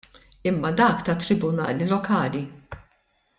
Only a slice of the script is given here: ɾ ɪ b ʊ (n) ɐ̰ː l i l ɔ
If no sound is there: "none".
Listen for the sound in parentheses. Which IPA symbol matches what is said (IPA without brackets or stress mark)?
n